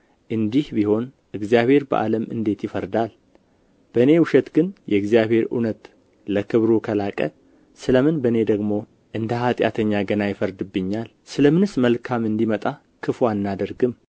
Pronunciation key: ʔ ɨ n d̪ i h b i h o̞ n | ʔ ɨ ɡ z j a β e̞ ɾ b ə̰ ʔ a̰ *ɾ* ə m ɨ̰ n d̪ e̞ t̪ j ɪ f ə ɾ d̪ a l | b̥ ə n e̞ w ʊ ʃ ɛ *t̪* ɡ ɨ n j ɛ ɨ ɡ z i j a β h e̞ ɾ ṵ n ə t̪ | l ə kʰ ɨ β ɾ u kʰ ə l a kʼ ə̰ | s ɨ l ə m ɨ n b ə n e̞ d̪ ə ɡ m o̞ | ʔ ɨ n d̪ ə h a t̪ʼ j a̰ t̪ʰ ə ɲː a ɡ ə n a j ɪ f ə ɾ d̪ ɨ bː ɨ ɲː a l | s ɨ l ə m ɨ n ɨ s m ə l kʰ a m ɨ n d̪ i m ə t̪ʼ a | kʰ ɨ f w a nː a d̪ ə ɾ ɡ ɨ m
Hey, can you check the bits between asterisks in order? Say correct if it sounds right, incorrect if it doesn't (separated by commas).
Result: incorrect, correct